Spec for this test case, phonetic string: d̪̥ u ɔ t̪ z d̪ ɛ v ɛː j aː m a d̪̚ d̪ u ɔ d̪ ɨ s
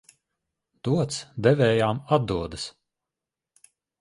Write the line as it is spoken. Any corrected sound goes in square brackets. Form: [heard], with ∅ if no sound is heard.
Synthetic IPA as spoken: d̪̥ u ɔ t̪ [s] d̪ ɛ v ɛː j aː m a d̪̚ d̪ u ɔ d̪ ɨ s